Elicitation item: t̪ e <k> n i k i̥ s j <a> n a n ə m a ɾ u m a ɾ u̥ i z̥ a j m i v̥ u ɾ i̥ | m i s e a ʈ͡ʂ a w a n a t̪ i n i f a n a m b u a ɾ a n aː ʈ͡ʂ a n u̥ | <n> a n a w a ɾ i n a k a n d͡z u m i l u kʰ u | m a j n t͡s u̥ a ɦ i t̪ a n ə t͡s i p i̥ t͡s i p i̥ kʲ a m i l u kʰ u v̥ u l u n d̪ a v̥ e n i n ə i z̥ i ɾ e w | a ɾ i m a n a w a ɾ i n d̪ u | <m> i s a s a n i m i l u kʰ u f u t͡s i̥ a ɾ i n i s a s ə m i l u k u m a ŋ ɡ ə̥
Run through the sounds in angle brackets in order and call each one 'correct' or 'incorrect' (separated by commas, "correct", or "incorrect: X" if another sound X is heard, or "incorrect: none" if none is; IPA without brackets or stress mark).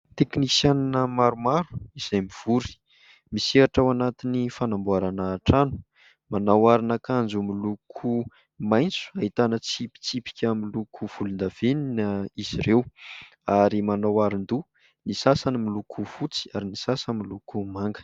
correct, correct, incorrect: m, incorrect: n